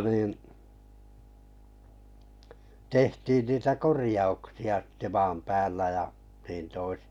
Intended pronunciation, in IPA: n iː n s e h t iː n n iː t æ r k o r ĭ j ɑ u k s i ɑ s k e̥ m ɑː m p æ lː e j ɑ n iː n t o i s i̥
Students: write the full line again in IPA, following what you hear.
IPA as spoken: n iː n t e h t iː n n iː t æ k o r ĭ j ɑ u k s i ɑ s t e̥ m ɑː m p æː lː æ j ɑ n iː n t o i s i̥